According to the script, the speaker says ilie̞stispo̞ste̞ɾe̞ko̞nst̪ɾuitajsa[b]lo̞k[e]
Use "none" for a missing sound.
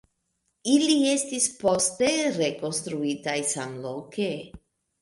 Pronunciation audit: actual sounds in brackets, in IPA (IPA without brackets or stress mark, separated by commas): m, e